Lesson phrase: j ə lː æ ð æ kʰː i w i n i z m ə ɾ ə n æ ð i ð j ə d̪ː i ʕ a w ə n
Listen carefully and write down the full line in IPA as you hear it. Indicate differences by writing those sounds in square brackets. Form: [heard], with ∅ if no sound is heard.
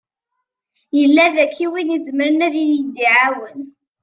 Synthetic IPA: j ə lː æ ð æ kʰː i w i n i z m ə ɾ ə n æ ð i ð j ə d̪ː i ʕ a w ə n